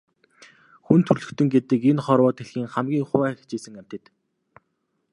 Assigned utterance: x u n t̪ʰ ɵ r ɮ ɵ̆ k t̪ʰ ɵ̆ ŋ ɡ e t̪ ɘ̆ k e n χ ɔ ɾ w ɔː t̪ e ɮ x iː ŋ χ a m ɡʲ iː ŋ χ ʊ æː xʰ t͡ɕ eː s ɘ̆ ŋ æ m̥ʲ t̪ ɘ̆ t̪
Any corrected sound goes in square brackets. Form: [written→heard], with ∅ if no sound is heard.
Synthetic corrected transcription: x u n t̪ʰ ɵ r ɮ ɵ̆ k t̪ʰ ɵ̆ ŋ ɡ e t̪ ɘ̆ k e n χ ɔ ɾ w ɔː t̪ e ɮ x iː ŋ χ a m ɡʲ iː ŋ χ ʊ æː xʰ t͡ɕ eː s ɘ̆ ŋ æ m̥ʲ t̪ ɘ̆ t̪

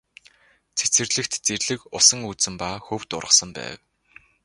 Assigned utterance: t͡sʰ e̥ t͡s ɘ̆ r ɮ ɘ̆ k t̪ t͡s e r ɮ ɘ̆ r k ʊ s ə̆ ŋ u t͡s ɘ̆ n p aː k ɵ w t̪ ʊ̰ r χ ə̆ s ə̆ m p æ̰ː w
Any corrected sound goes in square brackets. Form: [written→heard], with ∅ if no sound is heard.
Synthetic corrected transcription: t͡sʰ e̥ t͡s ɘ̆ r ɮ ɘ̆ k t̪ t͡s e r ɮ ɘ̆ [r→∅] k ʊ s ə̆ ŋ u t͡s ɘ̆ [n→m] p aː [k→x] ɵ w t̪ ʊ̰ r [χ→ʁ] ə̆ s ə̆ m p æ̰ː w

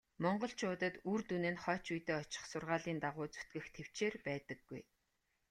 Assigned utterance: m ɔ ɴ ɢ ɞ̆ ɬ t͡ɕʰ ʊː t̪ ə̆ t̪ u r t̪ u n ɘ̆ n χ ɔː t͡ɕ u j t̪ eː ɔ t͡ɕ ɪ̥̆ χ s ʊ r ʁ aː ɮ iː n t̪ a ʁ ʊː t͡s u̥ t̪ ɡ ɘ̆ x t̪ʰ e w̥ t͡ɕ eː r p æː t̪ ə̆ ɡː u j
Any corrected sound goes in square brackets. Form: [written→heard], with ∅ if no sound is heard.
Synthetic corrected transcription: m ɔ ɴ ɢ ɞ̆ ɬ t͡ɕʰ ʊː t̪ ə̆ t̪ u r t̪ u n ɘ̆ n χ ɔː t͡ɕ u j t̪ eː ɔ t͡ɕ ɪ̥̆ χ s ʊ r ʁ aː ɮ iː n t̪ a ʁ ʊː t͡s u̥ t̪ ɡ ɘ̆ x t̪ʰ e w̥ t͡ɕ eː r p æː t̪ ə̆ ɡː u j

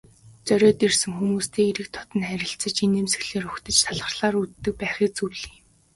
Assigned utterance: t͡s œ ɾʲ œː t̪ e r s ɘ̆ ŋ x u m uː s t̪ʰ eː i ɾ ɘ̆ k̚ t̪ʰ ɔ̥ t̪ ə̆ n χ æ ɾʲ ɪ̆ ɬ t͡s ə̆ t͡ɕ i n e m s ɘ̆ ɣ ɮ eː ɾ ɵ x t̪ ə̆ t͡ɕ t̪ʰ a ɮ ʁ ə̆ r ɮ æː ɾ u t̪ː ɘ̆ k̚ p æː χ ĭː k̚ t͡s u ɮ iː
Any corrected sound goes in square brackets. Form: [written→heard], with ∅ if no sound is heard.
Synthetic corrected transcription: t͡s œ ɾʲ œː t̪ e r s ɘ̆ ŋ x u m uː s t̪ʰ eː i ɾ ɘ̆ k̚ t̪ʰ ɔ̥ t̪ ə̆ n χ æ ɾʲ ɪ̆ ɬ t͡s ə̆ t͡ɕ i n e m s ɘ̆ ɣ ɮ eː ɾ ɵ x t̪ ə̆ t͡ɕ t̪ʰ a ɮ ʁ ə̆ r ɮ [æː→aː] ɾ u t̪ː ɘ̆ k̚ p æː χ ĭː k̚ t͡s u ɮ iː

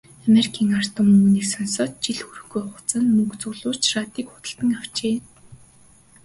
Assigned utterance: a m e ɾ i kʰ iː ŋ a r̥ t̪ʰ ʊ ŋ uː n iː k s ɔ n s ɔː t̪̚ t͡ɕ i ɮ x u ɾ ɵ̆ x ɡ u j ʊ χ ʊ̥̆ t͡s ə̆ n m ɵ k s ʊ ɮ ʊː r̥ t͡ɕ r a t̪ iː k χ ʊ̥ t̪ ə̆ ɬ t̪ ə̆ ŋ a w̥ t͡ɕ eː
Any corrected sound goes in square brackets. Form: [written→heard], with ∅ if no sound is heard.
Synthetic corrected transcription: a m e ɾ i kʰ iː ŋ a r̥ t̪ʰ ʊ [ŋ→m] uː n iː k s ɔ n s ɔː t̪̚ t͡ɕ i ɮ x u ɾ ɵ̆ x ɡ u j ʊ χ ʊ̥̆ t͡s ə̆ n m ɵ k [s→t͡s] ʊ ɮ ʊː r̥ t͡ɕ r a t̪ iː k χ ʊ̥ t̪ ə̆ ɬ t̪ ə̆ ŋ a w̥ t͡ɕ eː

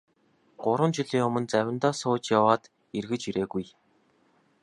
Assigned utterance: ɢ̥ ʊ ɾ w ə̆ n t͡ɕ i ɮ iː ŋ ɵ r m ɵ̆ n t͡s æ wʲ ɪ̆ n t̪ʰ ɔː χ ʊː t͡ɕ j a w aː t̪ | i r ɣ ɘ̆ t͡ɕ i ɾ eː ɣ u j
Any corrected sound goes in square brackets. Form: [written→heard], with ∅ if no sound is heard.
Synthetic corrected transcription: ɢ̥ ʊ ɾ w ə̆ n t͡ɕ i ɮ iː ŋ ɵ [r→∅] m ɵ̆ n t͡s æ wʲ ɪ̆ n [t̪ʰ→t̪] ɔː [χ→s] ʊː t͡ɕ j a w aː t̪ | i r ɣ ɘ̆ t͡ɕ i ɾ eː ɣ u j

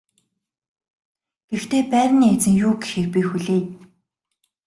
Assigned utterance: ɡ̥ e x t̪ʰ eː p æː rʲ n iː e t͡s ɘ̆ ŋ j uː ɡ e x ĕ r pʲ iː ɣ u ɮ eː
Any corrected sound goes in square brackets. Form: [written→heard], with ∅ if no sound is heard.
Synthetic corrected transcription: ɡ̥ e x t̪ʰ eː p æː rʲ n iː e t͡s ɘ̆ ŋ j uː ɡ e x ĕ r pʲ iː [ɣ→x] u ɮ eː

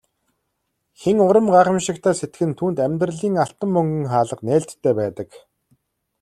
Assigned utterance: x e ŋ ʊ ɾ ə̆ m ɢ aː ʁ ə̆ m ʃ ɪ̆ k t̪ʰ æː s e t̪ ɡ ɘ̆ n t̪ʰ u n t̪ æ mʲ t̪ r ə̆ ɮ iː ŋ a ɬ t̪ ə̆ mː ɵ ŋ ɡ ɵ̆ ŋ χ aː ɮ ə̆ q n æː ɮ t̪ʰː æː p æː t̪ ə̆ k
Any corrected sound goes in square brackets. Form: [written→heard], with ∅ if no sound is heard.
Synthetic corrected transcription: x e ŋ ʊ ɾ ə̆ m ɢ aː [ʁ→χ] ə̆ m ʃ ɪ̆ k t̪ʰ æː s e t̪ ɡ ɘ̆ n t̪ʰ [u→uː] n t̪ æ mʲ t̪ r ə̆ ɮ iː ŋ a ɬ t̪ ə̆ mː ɵ ŋ ɡ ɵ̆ ŋ χ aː ɮ ə̆ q n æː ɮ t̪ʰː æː p æː t̪ ə̆ k

